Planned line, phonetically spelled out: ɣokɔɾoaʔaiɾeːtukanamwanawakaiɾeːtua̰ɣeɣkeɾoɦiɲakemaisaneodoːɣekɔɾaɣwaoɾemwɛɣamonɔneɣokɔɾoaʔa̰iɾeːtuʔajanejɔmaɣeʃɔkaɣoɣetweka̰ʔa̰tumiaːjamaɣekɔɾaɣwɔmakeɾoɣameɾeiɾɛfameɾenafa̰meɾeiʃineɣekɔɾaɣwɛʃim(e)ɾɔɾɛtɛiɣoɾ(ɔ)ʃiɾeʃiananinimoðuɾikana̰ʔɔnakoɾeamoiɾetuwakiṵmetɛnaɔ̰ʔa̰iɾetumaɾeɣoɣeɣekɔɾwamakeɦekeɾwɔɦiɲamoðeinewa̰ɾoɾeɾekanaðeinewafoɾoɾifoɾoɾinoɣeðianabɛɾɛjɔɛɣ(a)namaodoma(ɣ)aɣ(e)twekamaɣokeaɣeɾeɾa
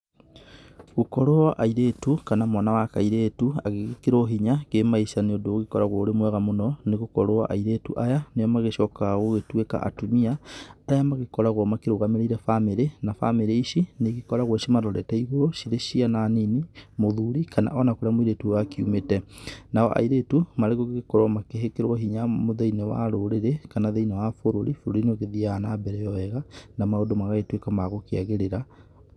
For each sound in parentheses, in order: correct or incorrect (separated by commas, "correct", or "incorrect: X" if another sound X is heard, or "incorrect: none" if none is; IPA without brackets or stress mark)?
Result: incorrect: a, incorrect: o, correct, correct, correct